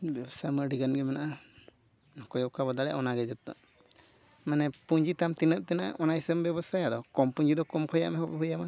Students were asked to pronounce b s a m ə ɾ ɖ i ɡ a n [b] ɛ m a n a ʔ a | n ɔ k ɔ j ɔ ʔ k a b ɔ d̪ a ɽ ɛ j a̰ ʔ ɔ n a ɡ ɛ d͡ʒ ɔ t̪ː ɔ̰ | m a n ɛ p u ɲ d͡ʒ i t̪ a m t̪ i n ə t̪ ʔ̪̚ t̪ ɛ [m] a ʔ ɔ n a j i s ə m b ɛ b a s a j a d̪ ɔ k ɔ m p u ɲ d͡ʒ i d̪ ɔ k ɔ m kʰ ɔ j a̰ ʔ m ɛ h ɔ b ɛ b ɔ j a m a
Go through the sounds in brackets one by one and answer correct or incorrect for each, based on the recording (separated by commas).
incorrect, incorrect